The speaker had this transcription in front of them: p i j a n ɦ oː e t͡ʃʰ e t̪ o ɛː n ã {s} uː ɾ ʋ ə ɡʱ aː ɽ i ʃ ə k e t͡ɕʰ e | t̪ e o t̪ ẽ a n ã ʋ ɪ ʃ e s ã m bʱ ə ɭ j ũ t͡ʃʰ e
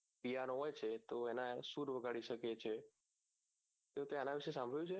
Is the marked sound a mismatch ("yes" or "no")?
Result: no